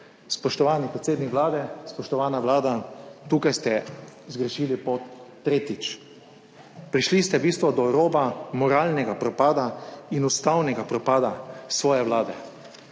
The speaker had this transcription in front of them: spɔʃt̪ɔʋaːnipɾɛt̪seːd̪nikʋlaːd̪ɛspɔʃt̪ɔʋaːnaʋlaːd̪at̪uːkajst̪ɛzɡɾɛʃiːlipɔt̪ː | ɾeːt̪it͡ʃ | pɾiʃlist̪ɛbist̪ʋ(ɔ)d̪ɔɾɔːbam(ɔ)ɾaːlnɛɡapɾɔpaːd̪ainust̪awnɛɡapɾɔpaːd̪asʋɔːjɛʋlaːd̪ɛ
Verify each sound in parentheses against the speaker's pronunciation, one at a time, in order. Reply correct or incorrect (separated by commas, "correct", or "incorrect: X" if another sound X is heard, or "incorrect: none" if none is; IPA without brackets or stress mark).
correct, correct